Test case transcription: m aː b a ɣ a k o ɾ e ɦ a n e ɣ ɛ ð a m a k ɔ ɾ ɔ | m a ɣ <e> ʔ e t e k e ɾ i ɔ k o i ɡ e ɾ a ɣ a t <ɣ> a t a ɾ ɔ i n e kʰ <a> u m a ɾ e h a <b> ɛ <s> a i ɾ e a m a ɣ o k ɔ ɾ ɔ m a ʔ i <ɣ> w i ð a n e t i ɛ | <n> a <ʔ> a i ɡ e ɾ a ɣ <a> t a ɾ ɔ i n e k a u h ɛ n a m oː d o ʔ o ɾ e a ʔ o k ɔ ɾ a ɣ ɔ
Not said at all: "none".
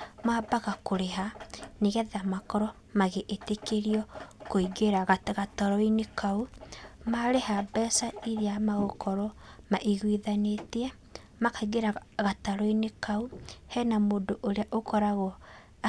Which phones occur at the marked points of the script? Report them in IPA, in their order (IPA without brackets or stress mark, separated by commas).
e, ɣ, a, b, s, ɣ, m, k, a